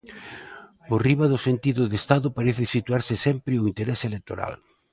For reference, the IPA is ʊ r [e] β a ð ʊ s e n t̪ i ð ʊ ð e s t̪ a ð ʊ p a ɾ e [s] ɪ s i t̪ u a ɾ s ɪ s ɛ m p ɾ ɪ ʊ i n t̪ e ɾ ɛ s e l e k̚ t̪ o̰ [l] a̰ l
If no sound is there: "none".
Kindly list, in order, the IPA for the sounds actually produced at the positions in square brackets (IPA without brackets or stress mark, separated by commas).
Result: i, θ, ɾ